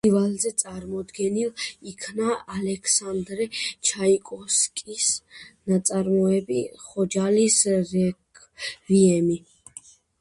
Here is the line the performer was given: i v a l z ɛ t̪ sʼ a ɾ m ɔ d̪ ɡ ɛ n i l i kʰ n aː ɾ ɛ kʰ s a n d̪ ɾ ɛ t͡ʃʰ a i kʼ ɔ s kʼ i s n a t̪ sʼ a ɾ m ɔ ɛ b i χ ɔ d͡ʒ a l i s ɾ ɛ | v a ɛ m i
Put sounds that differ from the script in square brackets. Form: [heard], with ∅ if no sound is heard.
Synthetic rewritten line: i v a l z ɛ t̪ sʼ a ɾ m ɔ d̪ ɡ ɛ n i l i kʰ n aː [l] ɛ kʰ s a n d̪ ɾ ɛ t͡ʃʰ a i kʼ ɔ s kʼ i s n a t̪ sʼ a ɾ m ɔ ɛ b i χ ɔ d͡ʒ a l i s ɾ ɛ | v [i] ɛ m i